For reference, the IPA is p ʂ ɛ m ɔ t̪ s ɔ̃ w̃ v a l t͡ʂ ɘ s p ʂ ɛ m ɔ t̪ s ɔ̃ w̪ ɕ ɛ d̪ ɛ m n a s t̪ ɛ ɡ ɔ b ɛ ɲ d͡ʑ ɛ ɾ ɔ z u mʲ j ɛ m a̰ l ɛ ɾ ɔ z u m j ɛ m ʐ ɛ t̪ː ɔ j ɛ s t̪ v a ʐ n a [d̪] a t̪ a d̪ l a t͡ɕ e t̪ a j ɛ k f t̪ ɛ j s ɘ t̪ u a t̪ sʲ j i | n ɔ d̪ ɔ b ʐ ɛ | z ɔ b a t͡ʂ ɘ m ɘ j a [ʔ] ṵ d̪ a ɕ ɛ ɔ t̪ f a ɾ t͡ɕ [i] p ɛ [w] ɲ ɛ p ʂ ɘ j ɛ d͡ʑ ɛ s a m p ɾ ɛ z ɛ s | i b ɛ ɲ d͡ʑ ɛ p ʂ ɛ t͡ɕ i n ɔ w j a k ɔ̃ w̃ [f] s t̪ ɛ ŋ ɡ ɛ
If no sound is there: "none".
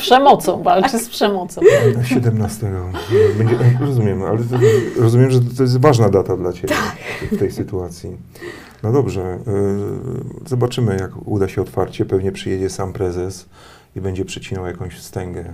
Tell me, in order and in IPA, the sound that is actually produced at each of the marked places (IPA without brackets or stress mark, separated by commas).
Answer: d̪, k, ɛ, v, ɕ